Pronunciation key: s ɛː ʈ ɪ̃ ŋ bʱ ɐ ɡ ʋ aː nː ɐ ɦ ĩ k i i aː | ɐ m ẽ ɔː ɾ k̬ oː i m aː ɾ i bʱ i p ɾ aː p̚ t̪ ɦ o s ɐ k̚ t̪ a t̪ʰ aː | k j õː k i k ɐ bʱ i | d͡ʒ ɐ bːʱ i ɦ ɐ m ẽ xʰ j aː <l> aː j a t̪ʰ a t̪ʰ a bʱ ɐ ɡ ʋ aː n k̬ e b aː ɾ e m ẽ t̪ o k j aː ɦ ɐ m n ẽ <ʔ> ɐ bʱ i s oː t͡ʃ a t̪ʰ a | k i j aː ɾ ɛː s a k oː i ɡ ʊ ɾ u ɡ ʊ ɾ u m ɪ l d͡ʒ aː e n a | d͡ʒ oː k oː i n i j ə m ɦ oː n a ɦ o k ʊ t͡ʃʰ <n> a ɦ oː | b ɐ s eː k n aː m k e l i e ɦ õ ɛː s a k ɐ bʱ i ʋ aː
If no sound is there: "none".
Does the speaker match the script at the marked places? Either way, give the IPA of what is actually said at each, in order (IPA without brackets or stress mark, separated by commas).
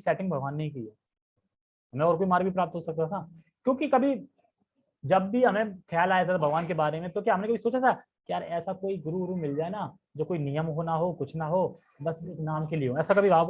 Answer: l, k, n